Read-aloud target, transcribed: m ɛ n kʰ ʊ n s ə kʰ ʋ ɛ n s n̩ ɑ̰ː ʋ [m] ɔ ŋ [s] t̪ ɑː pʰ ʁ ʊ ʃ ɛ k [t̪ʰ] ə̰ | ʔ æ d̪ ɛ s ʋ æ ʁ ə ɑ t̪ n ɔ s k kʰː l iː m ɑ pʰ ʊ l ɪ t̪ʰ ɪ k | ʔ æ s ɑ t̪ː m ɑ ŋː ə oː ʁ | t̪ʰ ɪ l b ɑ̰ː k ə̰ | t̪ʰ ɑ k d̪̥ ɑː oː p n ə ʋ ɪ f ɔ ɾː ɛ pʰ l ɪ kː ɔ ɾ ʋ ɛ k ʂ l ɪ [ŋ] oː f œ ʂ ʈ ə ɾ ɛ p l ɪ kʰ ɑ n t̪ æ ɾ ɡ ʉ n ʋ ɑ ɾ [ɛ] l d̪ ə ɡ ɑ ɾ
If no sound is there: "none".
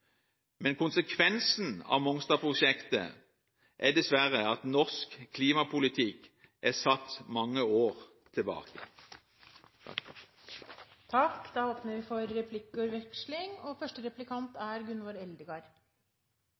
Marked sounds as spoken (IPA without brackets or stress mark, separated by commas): m, s, t̪, ŋ, ɛ